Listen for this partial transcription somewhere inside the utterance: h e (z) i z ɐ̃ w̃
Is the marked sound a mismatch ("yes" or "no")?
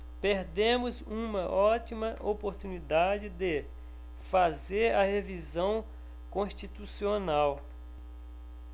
yes